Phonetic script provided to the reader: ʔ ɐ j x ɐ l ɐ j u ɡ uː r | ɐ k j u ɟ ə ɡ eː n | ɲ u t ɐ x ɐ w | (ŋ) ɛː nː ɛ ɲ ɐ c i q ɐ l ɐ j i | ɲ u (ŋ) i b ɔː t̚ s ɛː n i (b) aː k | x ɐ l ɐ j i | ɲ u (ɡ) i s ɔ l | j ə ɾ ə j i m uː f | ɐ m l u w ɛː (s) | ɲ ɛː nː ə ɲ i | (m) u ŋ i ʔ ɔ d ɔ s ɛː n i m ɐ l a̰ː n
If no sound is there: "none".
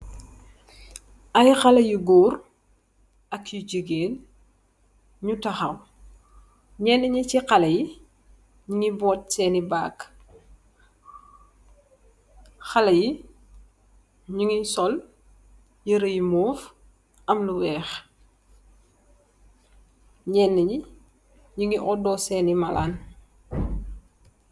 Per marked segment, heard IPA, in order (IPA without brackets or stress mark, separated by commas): ɲ, ŋ, b, ŋ, x, ɲ